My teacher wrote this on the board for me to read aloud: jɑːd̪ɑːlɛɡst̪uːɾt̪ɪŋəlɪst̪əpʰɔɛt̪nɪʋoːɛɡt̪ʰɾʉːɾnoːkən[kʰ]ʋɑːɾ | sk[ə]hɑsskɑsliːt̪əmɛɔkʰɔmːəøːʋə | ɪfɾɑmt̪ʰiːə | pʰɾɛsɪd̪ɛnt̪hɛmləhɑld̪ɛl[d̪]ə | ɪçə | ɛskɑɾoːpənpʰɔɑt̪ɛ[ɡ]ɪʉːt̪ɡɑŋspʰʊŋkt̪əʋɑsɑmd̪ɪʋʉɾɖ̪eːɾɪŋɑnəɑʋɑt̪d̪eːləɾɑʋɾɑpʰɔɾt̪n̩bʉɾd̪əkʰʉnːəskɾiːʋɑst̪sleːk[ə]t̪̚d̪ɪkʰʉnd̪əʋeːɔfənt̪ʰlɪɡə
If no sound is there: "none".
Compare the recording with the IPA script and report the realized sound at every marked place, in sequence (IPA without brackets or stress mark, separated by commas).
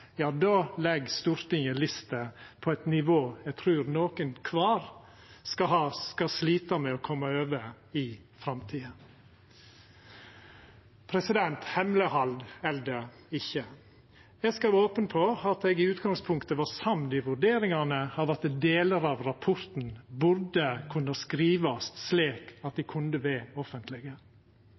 kʰ, ɑ, d̪, ɡ, ɑ